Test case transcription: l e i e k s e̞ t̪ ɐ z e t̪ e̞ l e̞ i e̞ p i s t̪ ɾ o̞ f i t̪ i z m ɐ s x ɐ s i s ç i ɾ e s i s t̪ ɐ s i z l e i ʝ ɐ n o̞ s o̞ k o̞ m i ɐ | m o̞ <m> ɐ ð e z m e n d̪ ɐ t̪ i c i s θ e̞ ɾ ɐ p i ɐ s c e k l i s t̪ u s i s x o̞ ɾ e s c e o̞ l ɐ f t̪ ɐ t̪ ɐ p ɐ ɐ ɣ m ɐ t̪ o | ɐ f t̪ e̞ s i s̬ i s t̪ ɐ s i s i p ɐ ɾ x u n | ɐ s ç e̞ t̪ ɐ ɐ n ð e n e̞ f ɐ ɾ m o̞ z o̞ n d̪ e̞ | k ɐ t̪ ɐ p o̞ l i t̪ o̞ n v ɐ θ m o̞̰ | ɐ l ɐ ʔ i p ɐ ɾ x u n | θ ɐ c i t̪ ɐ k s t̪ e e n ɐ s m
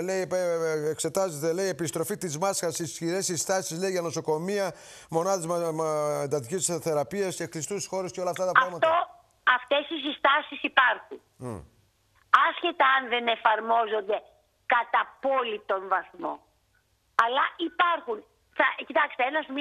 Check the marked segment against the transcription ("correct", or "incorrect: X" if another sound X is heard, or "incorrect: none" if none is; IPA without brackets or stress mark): incorrect: n